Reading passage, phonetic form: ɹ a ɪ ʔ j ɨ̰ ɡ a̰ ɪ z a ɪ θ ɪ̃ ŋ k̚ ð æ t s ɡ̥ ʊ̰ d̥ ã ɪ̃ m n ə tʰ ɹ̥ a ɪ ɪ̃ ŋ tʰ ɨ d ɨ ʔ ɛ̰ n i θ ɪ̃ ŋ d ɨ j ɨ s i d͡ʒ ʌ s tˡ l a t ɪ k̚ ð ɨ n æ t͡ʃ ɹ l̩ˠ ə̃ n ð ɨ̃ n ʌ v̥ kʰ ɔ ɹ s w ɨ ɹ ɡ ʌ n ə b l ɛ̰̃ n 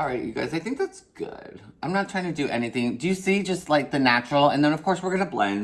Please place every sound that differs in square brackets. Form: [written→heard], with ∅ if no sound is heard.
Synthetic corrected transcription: ɹ a ɪ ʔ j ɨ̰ ɡ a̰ ɪ z a ɪ θ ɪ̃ ŋ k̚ ð æ t s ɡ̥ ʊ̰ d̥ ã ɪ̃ m n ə tʰ ɹ̥ a ɪ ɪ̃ ŋ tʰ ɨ d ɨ ʔ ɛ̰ n i θ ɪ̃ ŋ d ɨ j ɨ s i d͡ʒ ʌ s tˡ l a [t→∅] ɪ k̚ ð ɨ n æ t͡ʃ ɹ l̩ˠ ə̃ n ð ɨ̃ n ʌ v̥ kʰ ɔ ɹ s w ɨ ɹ ɡ ʌ n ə b l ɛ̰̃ n

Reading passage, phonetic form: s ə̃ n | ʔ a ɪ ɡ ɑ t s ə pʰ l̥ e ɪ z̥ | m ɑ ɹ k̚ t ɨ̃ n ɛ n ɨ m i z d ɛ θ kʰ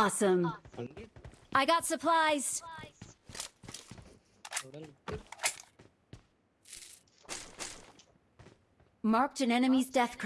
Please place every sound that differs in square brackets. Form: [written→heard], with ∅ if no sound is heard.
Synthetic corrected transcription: s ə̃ [n→m] | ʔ a ɪ ɡ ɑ t s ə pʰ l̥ [e→a] ɪ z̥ | m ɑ ɹ k̚ t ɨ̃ n ɛ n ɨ m i z d ɛ θ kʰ

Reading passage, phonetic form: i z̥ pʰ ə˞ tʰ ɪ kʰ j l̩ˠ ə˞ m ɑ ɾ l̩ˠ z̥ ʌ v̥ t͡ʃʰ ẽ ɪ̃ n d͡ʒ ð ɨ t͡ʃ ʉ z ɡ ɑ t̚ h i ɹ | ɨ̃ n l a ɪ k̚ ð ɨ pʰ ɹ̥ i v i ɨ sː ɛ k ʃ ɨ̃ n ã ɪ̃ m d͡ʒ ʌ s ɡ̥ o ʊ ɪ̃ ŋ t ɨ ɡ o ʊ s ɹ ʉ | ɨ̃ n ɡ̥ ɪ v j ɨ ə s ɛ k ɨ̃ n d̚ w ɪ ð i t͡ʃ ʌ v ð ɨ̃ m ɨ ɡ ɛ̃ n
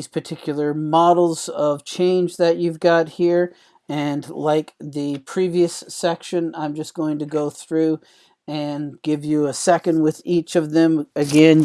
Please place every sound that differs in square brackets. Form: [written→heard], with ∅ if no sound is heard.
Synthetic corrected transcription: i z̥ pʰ ə˞ tʰ ɪ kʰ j l̩ˠ ə˞ m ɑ ɾ l̩ˠ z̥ ʌ v̥ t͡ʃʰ ẽ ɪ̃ n d͡ʒ ð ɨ t͡ʃ ʉ [z→v] ɡ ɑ t̚ h i ɹ | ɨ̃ n l a ɪ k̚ ð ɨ pʰ ɹ̥ i v i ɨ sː ɛ k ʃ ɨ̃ n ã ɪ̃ m d͡ʒ ʌ s ɡ̥ o ʊ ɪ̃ ŋ t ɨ ɡ o ʊ [s→θ] ɹ ʉ | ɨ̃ n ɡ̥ ɪ v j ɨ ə s ɛ k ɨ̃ n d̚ w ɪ ð i t͡ʃ ʌ v ð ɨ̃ m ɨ ɡ ɛ̃ n

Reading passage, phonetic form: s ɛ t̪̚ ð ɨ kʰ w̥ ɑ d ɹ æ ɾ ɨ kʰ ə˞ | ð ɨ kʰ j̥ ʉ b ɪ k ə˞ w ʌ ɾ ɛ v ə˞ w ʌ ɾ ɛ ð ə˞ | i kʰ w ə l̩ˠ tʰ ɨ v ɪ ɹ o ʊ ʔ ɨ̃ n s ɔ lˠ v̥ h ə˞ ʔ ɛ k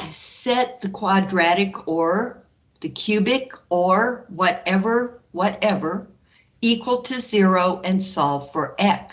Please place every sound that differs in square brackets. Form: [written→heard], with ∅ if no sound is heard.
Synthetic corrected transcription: s ɛ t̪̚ ð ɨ kʰ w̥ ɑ d ɹ æ ɾ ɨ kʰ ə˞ | ð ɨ kʰ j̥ ʉ b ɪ k ə˞ w ʌ ɾ ɛ v ə˞ w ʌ ɾ ɛ [ð→v] ə˞ | i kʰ w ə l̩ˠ tʰ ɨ [v→z] ɪ ɹ o ʊ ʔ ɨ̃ n s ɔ lˠ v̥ [h→f] ə˞ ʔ ɛ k

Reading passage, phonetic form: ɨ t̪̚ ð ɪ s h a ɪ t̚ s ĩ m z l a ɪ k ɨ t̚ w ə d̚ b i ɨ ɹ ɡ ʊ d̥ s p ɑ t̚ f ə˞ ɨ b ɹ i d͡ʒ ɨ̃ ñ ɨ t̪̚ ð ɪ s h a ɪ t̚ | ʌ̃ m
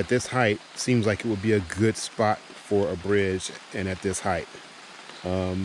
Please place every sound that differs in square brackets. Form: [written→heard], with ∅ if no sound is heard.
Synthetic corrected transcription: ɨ t̪̚ ð ɪ s h a ɪ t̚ s ĩ m z l a ɪ k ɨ t̚ w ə d̚ b i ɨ [ɹ→∅] ɡ ʊ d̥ s p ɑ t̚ f ə˞ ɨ b ɹ [i→ɪ] d͡ʒ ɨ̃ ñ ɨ t̪̚ ð ɪ s h a ɪ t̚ | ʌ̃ m

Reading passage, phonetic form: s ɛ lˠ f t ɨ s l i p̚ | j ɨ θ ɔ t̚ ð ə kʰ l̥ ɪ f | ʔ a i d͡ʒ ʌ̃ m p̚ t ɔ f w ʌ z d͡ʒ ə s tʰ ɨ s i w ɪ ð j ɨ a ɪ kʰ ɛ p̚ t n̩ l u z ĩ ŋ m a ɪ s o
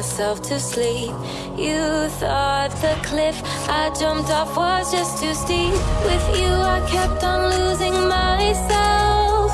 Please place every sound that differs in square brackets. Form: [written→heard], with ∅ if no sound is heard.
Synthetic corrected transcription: s ɛ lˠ f [t→tʰ] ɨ s l i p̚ | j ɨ θ ɔ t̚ ð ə kʰ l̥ ɪ f | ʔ a [i→ɪ] d͡ʒ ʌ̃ m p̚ t ɔ f w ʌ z d͡ʒ [ə→ʌ] s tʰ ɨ s i w ɪ ð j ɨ a ɪ kʰ ɛ p̚ t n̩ l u z [ĩ→ɪ̃] ŋ m a ɪ s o

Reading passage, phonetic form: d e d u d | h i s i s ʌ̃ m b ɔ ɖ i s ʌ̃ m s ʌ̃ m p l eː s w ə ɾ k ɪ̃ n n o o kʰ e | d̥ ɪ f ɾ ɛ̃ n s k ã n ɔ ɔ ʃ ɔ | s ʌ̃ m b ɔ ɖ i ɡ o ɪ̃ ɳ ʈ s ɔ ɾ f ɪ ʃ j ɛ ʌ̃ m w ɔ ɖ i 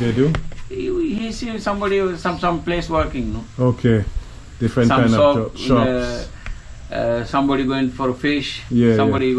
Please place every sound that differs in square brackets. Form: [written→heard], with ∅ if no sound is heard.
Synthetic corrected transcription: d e d u [d→∅] | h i s i s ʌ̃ m b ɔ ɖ i s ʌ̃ m s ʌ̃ m p l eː s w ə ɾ k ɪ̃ [n→ŋ] n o o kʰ e | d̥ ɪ f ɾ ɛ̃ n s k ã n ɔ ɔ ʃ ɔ | s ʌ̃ m b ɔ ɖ i ɡ o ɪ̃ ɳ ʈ [s→f] ɔ ɾ f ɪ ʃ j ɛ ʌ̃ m [w→b] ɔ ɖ i

